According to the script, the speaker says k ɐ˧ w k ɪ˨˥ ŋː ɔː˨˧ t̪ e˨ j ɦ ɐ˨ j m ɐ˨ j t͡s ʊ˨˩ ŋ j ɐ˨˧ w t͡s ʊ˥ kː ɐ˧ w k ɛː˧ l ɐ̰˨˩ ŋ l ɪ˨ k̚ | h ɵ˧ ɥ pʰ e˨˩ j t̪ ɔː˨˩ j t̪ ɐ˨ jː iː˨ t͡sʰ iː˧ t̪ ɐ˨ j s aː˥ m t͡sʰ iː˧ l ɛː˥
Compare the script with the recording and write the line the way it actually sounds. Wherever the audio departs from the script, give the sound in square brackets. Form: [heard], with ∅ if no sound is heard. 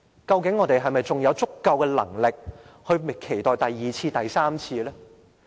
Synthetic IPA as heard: k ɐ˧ w k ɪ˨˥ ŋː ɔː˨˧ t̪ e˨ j ɦ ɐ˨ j m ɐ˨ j t͡s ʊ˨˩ ŋ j ɐ˨˧ w t͡s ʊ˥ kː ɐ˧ w k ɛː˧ l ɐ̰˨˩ ŋ l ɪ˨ k̚ | h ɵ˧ ɥ [kʰ] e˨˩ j t̪ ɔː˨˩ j t̪ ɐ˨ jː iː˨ t͡sʰ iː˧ t̪ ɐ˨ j s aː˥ m t͡sʰ iː˧ l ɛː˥